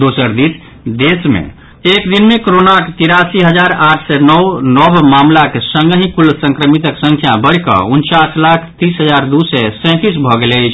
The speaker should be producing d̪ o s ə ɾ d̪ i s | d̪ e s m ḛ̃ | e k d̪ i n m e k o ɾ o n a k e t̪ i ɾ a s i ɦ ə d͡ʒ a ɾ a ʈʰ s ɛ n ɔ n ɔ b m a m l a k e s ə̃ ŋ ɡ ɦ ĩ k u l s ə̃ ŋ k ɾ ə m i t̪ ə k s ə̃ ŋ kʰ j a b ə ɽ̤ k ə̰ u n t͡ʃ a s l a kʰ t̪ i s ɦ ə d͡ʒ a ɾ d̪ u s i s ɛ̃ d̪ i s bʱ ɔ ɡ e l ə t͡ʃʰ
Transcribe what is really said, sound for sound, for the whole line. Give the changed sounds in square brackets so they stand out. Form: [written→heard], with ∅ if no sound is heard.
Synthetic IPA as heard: d̪ o s ə ɾ d̪ i s | d̪ e s m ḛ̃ | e k d̪ i n m e k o ɾ o n a k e t̪ i ɾ a s i ɦ ə d͡ʒ a ɾ a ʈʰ s ɛ n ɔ n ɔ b m a m l a k e s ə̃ ŋ ɡ ɦ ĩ k u l s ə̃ ŋ k ɾ ə m i t̪ ə k s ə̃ ŋ kʰ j a b ə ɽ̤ k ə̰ u n t͡ʃ a s l a kʰ t̪ i s ɦ ə d͡ʒ a ɾ d̪ u s [i→ɛ] s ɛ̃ [d̪→t̪] i s bʱ ɔ ɡ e l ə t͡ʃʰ